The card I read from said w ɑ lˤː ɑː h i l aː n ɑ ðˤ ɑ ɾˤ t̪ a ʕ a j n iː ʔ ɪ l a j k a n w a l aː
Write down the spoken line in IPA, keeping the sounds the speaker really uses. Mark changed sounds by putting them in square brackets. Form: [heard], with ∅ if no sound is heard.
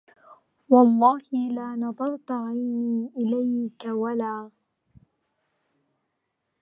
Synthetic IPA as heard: w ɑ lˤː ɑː h [ɪ] l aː n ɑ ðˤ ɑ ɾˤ t̪ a ʕ a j n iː ʔ ɪ l a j k a [∅] w a l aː

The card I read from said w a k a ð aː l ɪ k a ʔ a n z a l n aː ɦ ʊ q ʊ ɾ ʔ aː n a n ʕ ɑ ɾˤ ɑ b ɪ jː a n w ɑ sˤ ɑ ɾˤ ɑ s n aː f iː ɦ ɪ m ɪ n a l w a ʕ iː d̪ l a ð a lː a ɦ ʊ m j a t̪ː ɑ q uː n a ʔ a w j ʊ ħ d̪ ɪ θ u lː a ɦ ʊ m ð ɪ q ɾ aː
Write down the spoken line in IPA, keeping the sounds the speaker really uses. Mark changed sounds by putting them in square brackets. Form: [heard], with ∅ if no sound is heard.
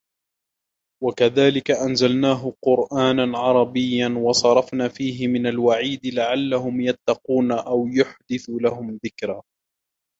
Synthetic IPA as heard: w a k a ð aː l ɪ k a ʔ a n z a l n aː ɦ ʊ q ʊ ɾ ʔ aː n a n ʕ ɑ ɾˤ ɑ b ɪ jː a n w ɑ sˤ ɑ ɾˤ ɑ [f] n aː f iː ɦ ɪ m ɪ n a l w a ʕ iː d̪ l a [ʕ] a lː a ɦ ʊ m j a t̪ː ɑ q uː n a ʔ a w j ʊ ħ d̪ ɪ θ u [l] a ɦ ʊ m ð ɪ [k] ɾ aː

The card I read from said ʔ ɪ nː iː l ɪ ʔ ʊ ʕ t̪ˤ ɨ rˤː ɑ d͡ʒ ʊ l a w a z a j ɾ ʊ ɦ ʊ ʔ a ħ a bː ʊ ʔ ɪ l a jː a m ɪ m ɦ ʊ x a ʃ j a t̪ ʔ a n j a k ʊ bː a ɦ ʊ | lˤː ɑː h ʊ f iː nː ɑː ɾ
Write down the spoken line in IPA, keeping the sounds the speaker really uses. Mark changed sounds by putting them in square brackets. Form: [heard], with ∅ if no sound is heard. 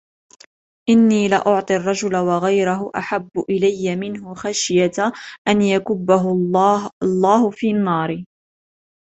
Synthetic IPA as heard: ʔ ɪ nː iː l ɪ ʔ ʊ ʕ t̪ˤ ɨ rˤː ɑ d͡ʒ ʊ l a w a [ɣ] a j ɾ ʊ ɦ ʊ ʔ a ħ a bː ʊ ʔ ɪ l a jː a m ɪ [n] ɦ ʊ x a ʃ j a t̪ ʔ a n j a k ʊ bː a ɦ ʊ | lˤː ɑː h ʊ f iː nː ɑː ɾ

